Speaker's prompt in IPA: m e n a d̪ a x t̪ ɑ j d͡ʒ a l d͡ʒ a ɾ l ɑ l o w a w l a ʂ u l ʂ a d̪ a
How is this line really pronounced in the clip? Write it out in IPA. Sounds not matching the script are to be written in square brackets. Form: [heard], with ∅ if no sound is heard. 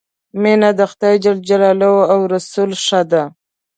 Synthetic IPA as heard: m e n a d̪ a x t̪ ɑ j d͡ʒ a l d͡ʒ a [∅] l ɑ l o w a w [ɾ] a [s] u l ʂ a d̪ a